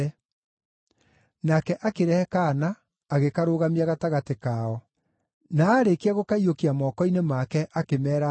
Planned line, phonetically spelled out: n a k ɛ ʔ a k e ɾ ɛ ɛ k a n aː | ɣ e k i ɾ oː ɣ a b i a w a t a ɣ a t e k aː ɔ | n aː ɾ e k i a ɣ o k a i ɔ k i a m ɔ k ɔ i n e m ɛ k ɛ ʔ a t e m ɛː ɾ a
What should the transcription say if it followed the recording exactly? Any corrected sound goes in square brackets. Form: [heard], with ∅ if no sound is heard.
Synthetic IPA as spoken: n a k ɛ ʔ a k e ɾ ɛ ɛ k a n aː | ɣ e k [a] ɾ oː ɣ a [m] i a [ɣ] a t a ɣ a t e k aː ɔ | n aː ɾ e k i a ɣ o k a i [o] k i a m ɔ k ɔ i n e m [a] k ɛ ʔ a [k] e m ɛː ɾ a